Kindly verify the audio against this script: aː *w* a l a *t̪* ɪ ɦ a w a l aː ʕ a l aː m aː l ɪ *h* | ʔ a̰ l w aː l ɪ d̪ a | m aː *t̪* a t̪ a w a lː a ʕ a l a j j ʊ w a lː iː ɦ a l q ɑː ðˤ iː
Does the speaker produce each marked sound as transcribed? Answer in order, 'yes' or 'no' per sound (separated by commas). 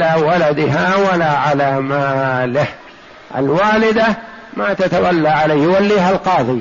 yes, no, yes, yes